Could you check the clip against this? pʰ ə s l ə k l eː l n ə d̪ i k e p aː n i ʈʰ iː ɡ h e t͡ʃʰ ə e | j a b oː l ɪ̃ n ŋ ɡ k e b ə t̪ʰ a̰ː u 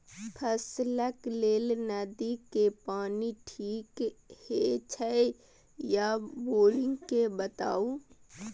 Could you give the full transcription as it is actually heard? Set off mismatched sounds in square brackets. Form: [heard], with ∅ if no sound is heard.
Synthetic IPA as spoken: pʰ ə s l ə k l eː l n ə d̪ i k e p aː n i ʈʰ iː [k] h e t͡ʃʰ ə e | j a b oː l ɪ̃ [∅] ŋ ɡ k e b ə [t̪] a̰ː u